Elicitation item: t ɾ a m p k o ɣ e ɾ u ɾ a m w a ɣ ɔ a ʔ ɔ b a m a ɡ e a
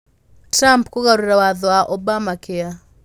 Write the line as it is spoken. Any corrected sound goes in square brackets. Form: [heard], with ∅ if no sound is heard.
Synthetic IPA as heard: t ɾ a m p k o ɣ [a] ɾ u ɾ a [∅] w a [ð] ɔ a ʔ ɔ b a m a [k] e a